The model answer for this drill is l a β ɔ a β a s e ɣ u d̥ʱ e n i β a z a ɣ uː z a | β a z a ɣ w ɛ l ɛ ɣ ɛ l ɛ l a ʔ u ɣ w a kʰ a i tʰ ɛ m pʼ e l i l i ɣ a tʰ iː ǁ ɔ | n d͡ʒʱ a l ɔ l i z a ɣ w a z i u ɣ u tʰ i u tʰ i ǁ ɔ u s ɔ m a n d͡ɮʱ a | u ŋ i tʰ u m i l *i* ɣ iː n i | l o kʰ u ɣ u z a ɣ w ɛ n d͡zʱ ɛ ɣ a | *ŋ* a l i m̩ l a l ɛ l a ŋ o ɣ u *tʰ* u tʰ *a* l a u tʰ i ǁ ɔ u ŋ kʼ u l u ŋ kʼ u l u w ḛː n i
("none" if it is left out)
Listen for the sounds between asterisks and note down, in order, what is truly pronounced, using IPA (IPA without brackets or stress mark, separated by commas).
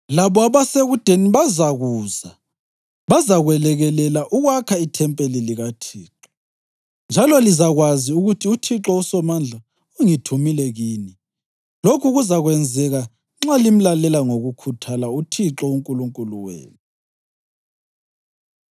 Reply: ɛ, ŋ͡ǁ, kʰ, a